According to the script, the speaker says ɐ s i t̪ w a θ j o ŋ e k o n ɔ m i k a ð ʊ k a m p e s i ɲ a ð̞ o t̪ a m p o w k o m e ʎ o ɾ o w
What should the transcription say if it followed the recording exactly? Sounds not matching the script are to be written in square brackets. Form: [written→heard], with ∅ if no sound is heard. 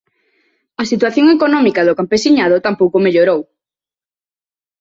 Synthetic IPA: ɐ s i t̪ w a θ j o ŋ e k o n ɔ m i k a ð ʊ k a m p e s i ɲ a ð̞ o t̪ a m p o w k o m e ʎ o ɾ o w

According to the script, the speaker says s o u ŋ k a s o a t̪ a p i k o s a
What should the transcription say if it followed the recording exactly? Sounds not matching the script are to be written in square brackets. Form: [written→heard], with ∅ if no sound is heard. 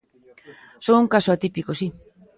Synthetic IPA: s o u ŋ k a s o a t̪ [a→i] p i k o s [a→i]

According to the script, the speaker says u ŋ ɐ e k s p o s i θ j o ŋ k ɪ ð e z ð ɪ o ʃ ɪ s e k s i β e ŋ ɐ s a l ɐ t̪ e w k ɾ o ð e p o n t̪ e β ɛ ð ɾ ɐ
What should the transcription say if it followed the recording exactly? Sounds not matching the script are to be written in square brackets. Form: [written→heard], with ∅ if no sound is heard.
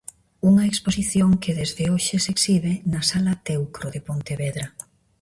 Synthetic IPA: u ŋ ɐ e k s p o s i θ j o ŋ k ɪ ð e z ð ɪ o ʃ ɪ s e k s i β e [ŋ→n] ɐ s a l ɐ t̪ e w k ɾ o ð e p o n t̪ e β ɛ ð ɾ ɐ

